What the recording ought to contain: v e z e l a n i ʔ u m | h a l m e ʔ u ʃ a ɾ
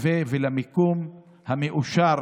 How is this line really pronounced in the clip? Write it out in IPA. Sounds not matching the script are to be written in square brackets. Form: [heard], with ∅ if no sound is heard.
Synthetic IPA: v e [v] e l a [m] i [k] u m | h a [∅] m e ʔ u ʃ a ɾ